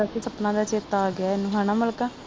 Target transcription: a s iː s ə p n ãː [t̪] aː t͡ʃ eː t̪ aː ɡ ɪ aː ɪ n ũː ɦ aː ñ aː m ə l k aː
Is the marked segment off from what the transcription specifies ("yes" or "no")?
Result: yes